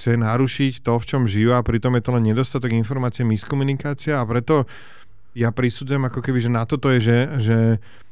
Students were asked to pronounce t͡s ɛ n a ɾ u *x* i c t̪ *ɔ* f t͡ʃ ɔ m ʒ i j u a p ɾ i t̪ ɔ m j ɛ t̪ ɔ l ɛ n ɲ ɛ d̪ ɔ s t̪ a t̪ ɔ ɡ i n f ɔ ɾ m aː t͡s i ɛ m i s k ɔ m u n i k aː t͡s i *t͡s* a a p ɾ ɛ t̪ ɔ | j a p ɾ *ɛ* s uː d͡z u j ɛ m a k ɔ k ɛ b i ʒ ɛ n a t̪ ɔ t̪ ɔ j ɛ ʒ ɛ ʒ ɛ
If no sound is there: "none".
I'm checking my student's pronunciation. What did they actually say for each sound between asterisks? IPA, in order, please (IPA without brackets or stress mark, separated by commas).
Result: ʃ, ɔ, none, i